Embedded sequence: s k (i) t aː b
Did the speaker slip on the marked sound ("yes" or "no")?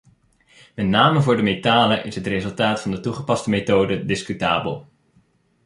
yes